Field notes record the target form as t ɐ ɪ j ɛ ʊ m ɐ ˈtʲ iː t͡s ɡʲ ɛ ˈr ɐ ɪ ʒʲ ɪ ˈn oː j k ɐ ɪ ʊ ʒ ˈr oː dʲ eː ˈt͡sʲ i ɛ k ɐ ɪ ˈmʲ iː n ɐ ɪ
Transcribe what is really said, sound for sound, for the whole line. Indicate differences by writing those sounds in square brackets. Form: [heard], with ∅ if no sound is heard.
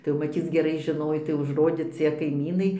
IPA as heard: t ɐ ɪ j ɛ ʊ m ɐ ˈtʲ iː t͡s ɡʲ ɛ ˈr ɐ ɪ ʒʲ ɪ ˈn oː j [t] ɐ ɪ ʊ ʒ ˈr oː dʲ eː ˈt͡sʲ i ɛ k ɐ ɪ ˈmʲ iː n ɐ ɪ